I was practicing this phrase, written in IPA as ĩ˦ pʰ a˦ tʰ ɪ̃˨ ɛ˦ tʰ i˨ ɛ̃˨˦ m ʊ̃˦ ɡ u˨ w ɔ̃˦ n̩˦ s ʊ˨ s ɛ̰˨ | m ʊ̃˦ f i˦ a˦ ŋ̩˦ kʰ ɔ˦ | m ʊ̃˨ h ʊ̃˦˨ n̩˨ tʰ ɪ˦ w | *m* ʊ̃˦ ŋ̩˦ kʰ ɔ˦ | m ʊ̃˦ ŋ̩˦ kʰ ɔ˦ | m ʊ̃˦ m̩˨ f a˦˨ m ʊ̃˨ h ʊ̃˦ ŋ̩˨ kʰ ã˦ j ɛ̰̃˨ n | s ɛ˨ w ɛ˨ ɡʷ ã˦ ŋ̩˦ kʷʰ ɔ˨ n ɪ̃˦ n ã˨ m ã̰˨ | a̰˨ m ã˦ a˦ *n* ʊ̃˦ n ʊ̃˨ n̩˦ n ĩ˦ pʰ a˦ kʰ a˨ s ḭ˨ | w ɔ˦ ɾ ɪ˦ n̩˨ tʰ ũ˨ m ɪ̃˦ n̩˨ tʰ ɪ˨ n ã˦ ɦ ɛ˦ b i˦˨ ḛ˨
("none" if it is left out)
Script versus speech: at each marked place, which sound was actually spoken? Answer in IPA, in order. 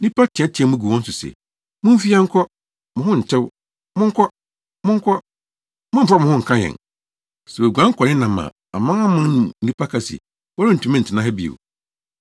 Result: m, m

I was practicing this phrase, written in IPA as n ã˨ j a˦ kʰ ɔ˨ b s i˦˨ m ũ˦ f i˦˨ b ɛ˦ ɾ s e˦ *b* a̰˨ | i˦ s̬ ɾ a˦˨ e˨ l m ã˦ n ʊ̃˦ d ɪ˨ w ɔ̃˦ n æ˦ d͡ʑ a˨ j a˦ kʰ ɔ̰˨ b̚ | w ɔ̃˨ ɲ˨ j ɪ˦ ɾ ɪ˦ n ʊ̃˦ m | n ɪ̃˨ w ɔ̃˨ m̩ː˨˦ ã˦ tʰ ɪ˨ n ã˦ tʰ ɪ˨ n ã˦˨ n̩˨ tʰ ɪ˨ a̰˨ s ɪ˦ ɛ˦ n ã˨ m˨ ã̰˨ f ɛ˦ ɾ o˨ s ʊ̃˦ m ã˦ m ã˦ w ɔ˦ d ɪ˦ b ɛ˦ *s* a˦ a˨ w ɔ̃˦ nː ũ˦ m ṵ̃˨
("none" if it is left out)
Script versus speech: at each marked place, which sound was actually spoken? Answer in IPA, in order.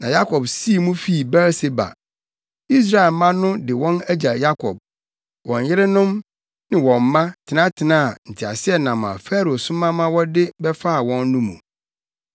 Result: b, f

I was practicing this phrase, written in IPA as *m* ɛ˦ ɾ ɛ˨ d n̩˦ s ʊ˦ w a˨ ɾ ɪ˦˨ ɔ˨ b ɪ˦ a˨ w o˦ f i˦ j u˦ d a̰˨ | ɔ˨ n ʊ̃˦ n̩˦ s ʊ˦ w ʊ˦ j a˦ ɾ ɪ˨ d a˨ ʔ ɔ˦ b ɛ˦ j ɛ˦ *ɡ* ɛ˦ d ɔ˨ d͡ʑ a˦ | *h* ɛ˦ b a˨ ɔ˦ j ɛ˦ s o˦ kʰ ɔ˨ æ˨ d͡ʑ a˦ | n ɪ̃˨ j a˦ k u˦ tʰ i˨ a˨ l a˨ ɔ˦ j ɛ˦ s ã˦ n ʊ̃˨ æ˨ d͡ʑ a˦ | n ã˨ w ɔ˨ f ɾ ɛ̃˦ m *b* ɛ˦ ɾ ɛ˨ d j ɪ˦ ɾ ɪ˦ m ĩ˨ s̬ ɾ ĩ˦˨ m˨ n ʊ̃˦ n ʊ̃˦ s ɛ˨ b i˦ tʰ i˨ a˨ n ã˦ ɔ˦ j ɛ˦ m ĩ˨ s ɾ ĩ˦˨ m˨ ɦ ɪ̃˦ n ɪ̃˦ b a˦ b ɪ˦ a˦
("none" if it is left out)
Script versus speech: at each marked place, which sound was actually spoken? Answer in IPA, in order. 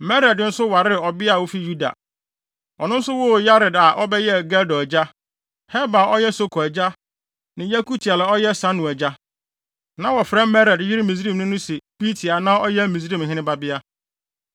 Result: m, ɡ, h, m

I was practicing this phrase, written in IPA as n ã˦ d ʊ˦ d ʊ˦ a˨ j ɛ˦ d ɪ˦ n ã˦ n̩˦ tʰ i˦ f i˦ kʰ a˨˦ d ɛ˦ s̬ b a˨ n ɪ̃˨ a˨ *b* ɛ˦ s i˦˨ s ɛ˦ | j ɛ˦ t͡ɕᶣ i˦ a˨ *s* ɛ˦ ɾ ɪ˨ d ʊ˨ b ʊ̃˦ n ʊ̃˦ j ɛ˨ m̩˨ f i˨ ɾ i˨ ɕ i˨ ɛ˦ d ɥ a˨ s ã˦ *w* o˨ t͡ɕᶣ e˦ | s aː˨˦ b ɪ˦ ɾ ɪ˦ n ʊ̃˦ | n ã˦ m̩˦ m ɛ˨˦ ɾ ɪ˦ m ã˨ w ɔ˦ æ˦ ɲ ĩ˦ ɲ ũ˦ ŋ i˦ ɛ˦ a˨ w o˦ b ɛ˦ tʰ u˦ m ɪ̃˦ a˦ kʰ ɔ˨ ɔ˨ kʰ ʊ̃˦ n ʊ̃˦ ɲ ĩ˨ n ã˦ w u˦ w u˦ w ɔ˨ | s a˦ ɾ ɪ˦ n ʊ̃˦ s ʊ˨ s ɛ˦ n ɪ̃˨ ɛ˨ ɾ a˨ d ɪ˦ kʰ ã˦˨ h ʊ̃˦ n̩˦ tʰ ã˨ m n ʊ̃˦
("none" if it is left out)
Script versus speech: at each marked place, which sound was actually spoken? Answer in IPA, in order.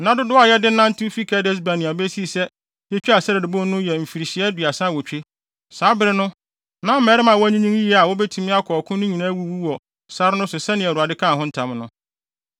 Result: b, s, w

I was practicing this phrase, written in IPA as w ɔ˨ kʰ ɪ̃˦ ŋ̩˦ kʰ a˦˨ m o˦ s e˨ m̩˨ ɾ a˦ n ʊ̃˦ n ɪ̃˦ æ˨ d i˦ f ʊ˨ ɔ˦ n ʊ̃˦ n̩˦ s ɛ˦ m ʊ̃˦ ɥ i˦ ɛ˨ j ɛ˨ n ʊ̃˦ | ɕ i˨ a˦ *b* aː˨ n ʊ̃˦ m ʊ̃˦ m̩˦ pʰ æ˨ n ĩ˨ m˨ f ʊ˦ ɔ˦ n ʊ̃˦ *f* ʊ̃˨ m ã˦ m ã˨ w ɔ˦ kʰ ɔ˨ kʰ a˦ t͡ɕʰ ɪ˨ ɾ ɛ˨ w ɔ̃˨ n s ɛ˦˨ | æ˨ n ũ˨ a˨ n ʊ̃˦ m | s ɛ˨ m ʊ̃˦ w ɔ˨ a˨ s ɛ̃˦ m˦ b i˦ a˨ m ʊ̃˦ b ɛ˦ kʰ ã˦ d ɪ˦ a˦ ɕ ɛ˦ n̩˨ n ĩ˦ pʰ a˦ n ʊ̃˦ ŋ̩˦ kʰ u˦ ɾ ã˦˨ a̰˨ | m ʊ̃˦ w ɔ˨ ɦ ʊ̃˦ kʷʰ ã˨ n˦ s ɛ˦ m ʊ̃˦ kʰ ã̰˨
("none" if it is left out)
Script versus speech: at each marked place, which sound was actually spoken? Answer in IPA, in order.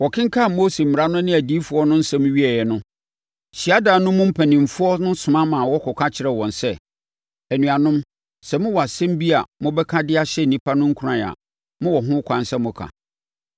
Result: d, s

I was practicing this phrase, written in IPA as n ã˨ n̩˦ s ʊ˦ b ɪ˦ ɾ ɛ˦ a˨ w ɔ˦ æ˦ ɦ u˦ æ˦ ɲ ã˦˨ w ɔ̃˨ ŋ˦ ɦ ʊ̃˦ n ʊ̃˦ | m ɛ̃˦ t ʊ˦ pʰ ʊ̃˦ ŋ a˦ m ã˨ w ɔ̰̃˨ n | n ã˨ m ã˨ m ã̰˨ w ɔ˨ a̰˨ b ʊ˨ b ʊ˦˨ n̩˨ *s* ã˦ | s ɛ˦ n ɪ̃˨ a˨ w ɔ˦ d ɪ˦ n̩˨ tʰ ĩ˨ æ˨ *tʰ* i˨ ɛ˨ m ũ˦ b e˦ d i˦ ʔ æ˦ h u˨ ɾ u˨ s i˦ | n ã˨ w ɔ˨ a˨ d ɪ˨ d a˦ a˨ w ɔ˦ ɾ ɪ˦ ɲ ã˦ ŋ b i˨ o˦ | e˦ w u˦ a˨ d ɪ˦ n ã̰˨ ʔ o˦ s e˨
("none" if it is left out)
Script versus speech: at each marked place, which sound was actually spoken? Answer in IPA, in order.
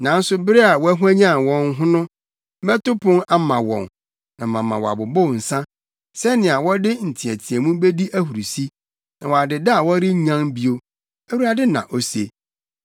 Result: s, tʰ

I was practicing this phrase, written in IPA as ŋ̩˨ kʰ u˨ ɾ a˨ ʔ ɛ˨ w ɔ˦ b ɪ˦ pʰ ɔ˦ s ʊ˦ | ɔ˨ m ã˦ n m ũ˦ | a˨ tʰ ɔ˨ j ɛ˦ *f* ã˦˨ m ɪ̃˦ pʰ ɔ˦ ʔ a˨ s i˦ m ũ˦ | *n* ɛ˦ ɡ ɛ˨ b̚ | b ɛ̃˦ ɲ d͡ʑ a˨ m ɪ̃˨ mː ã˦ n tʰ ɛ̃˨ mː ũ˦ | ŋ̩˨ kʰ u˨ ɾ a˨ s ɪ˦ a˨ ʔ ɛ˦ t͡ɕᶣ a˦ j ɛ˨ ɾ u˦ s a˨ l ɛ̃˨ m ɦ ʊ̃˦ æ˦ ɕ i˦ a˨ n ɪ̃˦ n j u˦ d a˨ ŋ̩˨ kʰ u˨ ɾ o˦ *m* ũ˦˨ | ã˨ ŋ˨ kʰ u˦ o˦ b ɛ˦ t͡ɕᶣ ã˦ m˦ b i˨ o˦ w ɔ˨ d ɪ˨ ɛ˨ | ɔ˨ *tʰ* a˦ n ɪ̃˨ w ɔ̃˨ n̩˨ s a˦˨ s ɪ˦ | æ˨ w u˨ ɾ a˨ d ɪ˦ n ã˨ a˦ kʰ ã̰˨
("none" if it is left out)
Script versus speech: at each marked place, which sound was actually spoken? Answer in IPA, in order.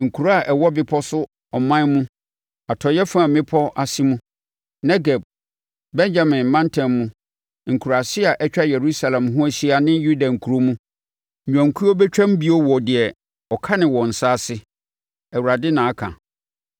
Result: f, n, m, kʰ

